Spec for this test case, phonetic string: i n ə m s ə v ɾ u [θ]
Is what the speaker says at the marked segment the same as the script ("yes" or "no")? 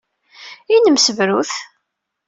yes